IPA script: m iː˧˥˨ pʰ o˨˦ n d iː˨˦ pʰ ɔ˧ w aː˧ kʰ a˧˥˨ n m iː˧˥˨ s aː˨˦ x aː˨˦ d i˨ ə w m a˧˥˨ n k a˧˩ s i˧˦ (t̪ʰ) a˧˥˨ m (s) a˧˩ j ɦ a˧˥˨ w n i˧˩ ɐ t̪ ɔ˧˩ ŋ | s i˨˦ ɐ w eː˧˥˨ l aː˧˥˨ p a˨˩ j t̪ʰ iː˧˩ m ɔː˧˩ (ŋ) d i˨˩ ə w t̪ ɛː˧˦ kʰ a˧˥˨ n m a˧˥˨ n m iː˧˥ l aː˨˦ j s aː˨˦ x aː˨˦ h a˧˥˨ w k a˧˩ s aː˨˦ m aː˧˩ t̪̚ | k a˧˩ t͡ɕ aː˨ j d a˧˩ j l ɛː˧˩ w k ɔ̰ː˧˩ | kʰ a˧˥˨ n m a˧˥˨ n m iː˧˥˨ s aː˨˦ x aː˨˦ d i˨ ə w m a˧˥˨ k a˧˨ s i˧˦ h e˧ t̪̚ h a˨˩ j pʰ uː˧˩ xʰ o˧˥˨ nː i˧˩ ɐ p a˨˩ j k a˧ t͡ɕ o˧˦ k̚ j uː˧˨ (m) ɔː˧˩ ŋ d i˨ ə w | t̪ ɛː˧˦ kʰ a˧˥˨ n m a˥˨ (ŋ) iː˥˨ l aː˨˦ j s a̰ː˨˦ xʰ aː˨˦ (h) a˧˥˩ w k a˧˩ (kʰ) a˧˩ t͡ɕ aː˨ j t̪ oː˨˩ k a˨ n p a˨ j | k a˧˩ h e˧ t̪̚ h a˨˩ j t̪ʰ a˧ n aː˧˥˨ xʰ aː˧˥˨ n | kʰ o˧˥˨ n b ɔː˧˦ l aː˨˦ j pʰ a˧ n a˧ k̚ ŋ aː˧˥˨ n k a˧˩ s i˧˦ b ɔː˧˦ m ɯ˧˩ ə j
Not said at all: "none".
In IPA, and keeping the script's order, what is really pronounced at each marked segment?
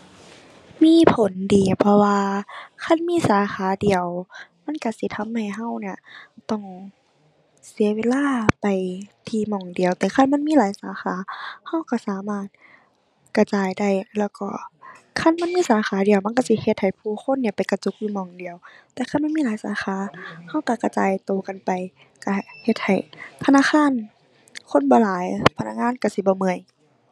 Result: t̪ʰ, h, ŋ, m, m, h, k

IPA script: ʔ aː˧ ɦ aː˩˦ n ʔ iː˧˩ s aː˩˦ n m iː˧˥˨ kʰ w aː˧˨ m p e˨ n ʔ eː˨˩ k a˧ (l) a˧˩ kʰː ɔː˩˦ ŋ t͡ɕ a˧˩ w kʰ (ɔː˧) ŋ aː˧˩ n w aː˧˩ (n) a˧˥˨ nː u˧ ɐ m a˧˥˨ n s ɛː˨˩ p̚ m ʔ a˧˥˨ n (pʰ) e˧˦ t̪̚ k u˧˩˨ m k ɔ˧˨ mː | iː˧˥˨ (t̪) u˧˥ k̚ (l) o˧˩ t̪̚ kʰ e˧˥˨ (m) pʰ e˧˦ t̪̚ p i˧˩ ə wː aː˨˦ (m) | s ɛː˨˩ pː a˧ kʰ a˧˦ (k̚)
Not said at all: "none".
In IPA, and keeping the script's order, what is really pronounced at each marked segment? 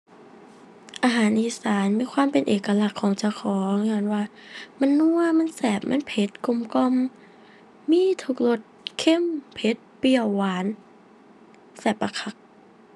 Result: l, ɔː˩˦, m, pʰ, t̪ʰ, l, m, n, k̚

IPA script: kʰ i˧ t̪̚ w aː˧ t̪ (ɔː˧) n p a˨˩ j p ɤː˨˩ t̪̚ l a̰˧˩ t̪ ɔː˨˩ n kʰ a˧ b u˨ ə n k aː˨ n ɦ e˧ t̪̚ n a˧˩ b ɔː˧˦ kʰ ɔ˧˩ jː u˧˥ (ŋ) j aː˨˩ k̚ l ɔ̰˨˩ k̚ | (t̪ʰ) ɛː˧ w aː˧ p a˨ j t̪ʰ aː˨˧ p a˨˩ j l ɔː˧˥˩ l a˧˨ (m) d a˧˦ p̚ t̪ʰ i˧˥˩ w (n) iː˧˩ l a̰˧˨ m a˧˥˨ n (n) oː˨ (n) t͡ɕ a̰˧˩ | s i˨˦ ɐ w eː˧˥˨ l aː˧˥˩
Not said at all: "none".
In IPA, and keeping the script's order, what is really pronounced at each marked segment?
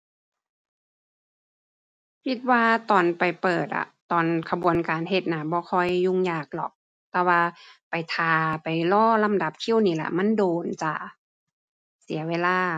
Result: ɔː˨˩, ŋ, t̪, m, n, d, n

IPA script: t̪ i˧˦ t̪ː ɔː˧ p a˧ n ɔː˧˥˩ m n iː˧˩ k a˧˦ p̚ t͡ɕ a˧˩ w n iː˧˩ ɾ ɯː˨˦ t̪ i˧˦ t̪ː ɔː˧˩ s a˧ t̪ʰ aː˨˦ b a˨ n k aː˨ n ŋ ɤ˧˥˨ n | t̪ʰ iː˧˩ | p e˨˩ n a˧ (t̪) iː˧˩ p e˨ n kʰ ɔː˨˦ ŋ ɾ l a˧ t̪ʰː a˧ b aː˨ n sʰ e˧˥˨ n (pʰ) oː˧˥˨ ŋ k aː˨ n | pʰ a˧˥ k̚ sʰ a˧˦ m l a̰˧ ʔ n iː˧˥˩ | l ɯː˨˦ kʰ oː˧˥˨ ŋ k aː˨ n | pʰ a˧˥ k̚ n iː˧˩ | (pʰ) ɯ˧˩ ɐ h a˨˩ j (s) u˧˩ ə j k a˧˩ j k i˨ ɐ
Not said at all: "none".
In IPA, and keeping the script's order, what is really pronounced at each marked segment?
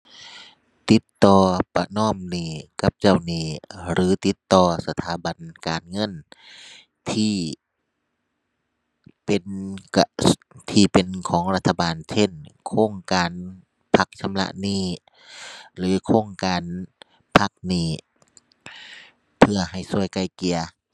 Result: t̪ʰ, kʰ, pʰ, s

